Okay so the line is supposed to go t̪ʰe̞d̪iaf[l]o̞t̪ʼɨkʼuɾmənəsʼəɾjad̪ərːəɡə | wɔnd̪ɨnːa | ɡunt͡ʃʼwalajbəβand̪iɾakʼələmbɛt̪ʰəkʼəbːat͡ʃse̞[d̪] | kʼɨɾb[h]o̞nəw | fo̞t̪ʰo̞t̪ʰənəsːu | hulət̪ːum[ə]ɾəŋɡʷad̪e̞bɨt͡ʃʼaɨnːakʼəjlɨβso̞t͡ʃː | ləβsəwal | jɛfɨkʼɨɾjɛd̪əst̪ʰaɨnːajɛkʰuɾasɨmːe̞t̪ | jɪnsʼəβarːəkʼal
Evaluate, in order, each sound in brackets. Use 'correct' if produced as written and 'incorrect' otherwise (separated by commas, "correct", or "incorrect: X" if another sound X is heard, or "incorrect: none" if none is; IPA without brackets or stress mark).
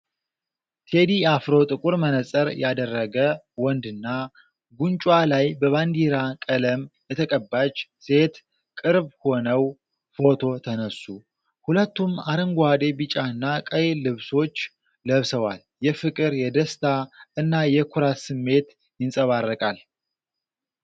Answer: incorrect: ɾ, incorrect: t̪, correct, incorrect: a